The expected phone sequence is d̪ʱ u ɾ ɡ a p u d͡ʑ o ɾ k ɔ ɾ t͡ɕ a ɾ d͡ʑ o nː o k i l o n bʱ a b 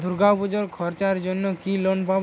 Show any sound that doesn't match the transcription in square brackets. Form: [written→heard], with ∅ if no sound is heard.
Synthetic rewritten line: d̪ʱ u ɾ ɡ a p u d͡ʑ o ɾ [k→kʰ] ɔ ɾ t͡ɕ a ɾ d͡ʑ o nː o k i l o n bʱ a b